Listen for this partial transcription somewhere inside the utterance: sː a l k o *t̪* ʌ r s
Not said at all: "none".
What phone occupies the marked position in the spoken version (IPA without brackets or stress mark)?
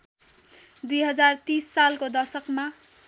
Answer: d̪